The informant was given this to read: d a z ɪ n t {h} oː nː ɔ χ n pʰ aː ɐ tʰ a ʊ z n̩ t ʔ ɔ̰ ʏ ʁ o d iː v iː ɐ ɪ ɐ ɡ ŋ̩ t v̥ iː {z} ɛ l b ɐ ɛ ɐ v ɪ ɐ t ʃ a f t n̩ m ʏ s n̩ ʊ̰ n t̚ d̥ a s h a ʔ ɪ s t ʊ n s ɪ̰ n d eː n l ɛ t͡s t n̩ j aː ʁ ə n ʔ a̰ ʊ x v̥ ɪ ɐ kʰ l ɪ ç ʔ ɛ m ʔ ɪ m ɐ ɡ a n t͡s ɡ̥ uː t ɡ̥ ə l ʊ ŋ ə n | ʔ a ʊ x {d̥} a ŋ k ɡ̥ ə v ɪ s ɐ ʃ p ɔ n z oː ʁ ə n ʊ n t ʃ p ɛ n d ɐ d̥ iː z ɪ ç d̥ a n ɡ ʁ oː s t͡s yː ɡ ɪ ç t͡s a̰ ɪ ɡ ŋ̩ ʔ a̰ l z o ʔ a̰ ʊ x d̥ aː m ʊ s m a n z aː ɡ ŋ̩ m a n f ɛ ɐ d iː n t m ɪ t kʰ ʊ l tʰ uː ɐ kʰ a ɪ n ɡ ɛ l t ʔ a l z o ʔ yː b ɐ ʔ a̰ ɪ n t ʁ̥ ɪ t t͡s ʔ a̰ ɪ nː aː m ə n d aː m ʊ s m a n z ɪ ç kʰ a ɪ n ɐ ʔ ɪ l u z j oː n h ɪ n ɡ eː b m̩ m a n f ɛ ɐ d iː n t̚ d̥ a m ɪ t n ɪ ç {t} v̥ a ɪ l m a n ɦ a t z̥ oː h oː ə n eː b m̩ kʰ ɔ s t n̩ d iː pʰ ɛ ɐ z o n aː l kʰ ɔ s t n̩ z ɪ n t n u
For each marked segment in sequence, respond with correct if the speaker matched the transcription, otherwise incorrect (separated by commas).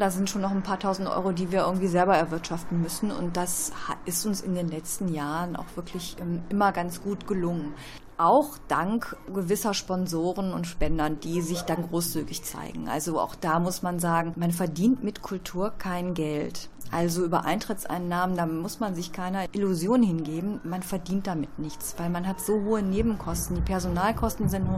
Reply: incorrect, correct, correct, incorrect